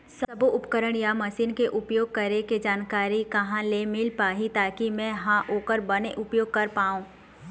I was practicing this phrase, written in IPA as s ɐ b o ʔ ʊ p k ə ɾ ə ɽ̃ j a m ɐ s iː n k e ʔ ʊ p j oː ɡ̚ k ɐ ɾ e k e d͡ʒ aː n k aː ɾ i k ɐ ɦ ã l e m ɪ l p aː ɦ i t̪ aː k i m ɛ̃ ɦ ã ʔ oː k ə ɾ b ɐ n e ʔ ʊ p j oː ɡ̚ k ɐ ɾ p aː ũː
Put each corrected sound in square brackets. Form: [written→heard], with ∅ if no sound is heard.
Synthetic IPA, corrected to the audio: s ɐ b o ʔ ʊ p k ə ɾ ə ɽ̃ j a m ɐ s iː n k e ʔ ʊ p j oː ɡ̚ k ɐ ɾ e k e d͡ʒ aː n k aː ɾ i k ɐ ɦ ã l e m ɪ l p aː ɦ i t̪ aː k i m ɛ̃ ɦ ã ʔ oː k ə ɾ b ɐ n e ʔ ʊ p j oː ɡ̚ k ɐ ɾ p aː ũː